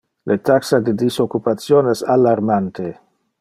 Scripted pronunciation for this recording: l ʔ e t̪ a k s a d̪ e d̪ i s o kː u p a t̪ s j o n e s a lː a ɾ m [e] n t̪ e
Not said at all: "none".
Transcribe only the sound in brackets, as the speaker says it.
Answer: a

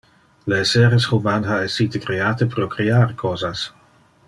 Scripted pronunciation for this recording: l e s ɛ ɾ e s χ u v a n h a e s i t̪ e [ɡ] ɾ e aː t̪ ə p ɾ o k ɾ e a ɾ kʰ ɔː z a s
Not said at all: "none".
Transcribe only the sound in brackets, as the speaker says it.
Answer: k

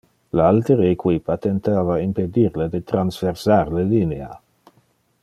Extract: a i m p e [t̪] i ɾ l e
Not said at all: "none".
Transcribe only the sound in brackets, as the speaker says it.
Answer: d̪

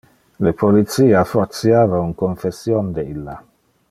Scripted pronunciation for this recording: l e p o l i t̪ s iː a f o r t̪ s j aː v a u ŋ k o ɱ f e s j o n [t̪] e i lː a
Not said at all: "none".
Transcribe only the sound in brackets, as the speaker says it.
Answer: d̪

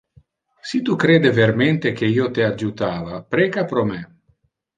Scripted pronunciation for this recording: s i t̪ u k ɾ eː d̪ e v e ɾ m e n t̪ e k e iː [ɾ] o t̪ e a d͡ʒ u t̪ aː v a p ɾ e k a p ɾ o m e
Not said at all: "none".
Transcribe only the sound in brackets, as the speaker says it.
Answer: none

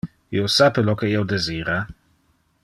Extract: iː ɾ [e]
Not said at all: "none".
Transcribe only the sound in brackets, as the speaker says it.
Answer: a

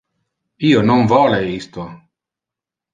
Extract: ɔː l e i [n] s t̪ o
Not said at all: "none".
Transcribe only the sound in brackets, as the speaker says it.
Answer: none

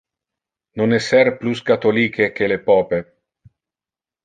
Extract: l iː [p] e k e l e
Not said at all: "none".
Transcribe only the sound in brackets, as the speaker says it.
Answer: k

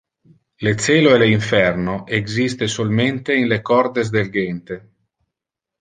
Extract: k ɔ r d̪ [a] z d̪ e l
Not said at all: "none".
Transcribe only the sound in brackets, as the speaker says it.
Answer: e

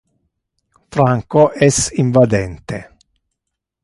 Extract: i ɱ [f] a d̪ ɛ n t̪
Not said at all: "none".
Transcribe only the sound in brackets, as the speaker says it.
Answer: v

